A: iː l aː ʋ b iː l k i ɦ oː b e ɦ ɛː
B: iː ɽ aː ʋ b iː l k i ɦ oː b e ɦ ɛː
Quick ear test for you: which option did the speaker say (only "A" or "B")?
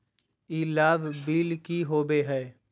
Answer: A